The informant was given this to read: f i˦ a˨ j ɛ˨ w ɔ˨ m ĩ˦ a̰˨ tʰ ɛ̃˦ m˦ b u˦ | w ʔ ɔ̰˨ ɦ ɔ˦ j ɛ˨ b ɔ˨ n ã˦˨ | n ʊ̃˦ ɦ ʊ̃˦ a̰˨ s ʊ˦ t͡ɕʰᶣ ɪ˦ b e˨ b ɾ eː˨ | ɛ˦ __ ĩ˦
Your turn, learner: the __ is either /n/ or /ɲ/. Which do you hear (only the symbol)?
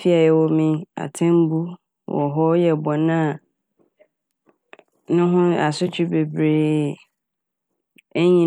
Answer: ɲ